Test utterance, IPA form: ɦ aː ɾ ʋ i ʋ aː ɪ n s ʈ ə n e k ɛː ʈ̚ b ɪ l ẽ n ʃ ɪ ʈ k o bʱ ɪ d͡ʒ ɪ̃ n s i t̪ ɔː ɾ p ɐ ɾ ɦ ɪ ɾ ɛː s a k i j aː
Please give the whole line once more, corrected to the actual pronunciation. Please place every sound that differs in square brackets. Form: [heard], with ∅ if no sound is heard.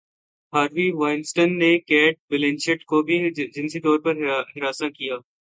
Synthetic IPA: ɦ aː ɾ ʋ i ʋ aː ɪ n s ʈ ə [nː] e k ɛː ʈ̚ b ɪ l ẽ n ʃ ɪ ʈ k o bʱ [i] d͡ʒ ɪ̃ n s i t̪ ɔː ɾ p ɐ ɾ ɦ ɪ ɾ [aː] s a k i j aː